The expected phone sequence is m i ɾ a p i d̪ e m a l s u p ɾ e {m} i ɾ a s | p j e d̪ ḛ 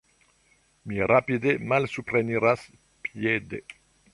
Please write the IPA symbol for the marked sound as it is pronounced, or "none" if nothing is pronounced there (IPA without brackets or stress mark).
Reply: n